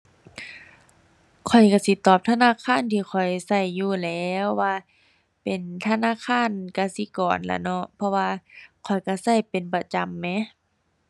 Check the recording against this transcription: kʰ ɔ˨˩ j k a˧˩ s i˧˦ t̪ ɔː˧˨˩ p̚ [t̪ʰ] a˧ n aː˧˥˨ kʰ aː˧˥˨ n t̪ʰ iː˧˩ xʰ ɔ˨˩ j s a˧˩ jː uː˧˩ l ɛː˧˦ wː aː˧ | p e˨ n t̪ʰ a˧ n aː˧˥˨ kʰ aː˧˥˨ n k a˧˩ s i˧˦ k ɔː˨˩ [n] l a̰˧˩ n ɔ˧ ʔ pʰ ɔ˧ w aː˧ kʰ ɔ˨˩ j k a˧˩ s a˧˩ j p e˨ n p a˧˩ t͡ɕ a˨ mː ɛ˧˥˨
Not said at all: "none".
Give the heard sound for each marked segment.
t̪ʰ, n

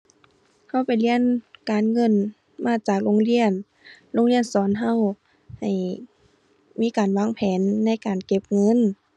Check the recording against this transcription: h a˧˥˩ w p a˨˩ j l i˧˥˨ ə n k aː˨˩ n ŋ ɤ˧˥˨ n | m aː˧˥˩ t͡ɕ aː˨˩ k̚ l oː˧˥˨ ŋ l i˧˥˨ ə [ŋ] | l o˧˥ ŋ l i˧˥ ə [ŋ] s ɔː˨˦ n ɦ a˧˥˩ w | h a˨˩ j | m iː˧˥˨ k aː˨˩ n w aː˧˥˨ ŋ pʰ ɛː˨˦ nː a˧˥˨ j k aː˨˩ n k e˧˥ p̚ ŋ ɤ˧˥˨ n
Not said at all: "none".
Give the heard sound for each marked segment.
n, n

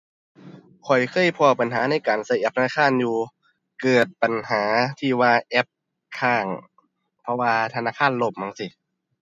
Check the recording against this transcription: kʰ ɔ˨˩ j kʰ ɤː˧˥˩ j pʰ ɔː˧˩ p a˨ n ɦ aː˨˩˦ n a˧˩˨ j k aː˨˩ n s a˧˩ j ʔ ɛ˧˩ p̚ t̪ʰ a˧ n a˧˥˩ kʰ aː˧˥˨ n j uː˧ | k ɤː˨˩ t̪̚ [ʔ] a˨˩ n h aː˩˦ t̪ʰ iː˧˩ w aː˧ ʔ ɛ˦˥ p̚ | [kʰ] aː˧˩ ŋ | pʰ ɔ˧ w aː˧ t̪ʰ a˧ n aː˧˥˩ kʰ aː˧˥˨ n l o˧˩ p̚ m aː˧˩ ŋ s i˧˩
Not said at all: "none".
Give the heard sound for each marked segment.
p, kʰ

